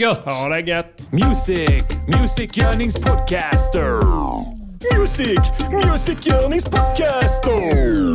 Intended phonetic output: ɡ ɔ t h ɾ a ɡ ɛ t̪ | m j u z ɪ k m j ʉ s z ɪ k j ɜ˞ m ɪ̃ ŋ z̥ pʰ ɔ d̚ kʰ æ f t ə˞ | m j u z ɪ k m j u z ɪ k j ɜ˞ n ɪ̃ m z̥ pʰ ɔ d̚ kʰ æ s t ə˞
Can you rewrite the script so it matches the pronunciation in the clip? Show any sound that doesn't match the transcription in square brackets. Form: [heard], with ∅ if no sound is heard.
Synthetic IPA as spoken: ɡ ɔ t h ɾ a ɡ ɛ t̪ | m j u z ɪ k m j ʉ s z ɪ k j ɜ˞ [n] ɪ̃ ŋ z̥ pʰ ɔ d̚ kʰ æ [s] t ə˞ | m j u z ɪ k m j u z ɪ k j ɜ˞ n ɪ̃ [ŋ] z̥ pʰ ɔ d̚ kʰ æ s t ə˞